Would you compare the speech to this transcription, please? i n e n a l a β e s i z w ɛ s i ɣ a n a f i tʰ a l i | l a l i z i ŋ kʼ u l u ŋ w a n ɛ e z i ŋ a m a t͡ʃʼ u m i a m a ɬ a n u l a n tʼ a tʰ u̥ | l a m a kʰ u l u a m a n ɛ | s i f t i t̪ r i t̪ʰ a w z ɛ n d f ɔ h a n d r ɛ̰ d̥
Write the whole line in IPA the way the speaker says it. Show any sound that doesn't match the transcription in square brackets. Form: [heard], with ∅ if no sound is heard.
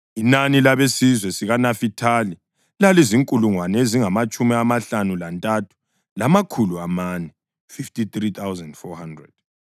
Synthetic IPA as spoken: i n [a] n [i] l a β e s i z w ɛ s i ɣ a n a f i tʰ a l i | l a l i z i ŋ kʼ u l u ŋ w a n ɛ e z i ŋ a m a t͡ʃʼ u m i a m a ɬ a n u l a n tʼ a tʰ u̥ | l a m a kʰ u l u a m a n ɛ | [f] i f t i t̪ r i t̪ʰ a w z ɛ n d f ɔ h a n d r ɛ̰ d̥